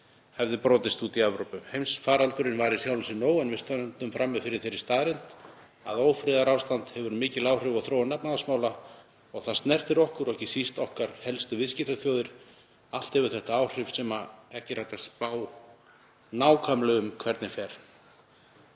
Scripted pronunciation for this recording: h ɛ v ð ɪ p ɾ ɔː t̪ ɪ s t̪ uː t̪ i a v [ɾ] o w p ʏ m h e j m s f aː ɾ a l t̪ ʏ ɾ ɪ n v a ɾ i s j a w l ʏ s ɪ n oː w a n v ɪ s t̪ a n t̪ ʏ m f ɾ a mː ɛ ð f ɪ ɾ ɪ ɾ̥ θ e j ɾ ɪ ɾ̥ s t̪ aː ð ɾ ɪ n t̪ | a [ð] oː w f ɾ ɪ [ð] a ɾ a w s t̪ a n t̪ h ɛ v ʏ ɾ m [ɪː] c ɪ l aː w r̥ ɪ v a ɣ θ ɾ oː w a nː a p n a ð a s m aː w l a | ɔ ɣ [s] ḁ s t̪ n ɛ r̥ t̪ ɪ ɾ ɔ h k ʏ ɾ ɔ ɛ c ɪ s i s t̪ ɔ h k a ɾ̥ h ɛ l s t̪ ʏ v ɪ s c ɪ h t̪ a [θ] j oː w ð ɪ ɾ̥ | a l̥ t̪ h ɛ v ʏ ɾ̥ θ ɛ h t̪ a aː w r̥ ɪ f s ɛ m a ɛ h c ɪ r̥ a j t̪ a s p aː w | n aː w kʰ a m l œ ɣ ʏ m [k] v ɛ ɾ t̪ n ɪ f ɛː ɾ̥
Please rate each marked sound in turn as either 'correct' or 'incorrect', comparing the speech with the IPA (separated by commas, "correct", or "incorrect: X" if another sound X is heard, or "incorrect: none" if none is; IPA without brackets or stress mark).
correct, correct, correct, correct, incorrect: θ, correct, incorrect: kʰ